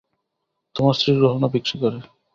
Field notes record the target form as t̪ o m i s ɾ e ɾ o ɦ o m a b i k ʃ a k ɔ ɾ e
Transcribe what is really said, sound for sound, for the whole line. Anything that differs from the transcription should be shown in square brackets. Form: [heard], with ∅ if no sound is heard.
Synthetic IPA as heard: t̪ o m [a] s ɾ [i] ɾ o ɦ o [n] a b i k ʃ [i] k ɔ ɾ e